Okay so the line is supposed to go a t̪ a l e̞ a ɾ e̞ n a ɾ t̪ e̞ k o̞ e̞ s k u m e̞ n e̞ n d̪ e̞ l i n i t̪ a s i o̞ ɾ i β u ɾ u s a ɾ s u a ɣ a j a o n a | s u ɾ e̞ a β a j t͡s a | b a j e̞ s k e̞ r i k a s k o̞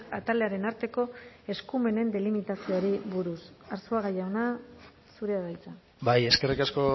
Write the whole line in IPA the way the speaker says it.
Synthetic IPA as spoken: a t̪ a l e̞ a ɾ e̞ n a ɾ t̪ e̞ k o̞ e̞ s k u m e̞ n e̞ n d̪ e̞ l i m i t̪ a s i o̞ ɾ i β u ɾ u s a ɾ s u a ɣ a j a o n a | s u ɾ e̞ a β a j t͡s a | b a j e̞ s k e̞ r i k a s k o̞